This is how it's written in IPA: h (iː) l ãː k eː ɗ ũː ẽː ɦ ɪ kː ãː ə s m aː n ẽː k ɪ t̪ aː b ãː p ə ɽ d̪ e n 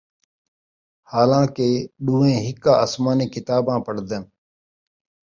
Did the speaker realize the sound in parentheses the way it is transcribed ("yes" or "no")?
no